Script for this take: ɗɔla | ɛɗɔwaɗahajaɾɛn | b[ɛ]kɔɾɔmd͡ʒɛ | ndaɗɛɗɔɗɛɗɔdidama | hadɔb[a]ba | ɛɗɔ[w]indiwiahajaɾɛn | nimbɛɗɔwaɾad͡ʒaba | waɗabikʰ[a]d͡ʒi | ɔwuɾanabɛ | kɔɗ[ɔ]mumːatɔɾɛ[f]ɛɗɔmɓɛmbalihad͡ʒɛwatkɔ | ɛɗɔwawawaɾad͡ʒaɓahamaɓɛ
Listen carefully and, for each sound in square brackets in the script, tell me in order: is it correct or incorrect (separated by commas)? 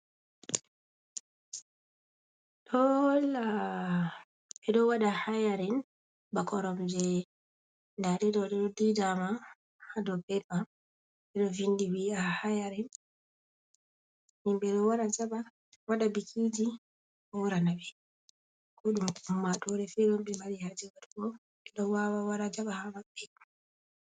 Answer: incorrect, incorrect, incorrect, incorrect, incorrect, correct